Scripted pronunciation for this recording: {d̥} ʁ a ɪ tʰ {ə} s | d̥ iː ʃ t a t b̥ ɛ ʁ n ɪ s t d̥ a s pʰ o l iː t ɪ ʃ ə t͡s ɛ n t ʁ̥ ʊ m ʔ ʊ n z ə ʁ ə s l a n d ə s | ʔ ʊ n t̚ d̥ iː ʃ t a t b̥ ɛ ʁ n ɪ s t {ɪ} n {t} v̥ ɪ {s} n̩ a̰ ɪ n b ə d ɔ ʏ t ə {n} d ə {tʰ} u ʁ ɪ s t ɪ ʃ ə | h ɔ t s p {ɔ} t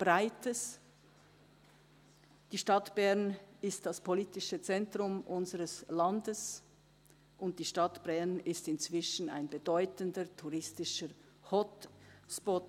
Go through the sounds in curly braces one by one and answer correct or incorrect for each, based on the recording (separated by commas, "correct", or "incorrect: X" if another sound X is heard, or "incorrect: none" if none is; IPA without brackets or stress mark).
incorrect: b̥, correct, correct, incorrect: t͡s, incorrect: ʃ, correct, correct, correct